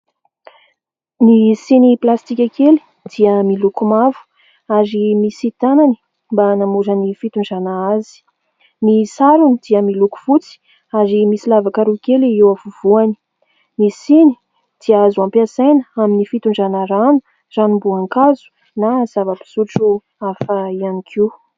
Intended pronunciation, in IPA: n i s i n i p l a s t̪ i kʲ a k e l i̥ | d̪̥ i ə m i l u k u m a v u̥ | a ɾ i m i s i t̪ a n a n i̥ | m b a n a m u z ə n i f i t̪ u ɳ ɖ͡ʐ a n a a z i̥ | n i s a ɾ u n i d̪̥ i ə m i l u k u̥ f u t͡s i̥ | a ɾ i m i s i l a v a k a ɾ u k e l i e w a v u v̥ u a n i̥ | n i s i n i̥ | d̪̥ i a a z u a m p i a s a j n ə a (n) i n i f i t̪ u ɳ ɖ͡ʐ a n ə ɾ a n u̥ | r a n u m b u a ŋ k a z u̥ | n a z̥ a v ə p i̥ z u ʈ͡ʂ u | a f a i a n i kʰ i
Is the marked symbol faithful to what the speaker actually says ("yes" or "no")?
no